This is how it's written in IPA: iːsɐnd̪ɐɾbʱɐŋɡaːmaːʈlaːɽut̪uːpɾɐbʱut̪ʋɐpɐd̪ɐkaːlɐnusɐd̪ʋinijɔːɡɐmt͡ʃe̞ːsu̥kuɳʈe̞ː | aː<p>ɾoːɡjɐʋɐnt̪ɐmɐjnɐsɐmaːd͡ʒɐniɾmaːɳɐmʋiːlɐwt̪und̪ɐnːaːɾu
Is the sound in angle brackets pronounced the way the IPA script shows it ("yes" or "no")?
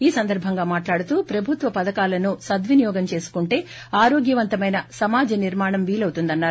no